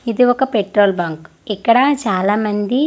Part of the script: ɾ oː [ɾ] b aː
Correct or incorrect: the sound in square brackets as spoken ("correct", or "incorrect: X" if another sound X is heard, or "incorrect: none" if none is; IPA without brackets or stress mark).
incorrect: l